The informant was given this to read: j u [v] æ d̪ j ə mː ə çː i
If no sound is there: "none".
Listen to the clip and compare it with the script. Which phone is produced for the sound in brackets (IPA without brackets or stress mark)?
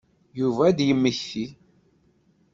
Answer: v